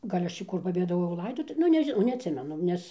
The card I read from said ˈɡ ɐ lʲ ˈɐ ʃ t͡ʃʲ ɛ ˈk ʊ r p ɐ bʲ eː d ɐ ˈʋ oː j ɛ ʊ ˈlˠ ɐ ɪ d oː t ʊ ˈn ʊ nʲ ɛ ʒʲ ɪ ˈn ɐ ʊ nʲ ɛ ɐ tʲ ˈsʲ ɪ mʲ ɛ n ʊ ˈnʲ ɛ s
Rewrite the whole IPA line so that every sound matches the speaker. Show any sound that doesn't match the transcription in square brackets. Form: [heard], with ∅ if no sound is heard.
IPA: ˈɡ ɐ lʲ ˈɐ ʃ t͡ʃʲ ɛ ˈk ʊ r p ɐ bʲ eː d ɐ ˈʋ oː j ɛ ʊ ˈlˠ ɐ ɪ d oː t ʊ ˈn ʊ nʲ ɛ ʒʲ ɪ ˈn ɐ ʊ nʲ ɛ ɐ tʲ ˈsʲ ɪ mʲ ɛ n ʊ ˈnʲ ɛ s